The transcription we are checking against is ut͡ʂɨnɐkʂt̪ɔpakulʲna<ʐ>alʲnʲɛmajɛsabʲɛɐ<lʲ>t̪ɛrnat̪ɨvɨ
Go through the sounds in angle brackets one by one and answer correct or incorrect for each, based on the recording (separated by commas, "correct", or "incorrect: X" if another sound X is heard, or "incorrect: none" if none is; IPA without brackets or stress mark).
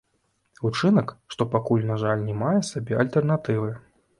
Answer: correct, correct